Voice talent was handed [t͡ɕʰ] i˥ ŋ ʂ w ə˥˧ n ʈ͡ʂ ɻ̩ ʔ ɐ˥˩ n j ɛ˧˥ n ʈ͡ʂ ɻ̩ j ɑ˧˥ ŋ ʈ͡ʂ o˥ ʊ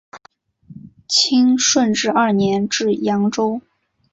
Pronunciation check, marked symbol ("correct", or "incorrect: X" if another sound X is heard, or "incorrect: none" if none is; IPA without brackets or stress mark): correct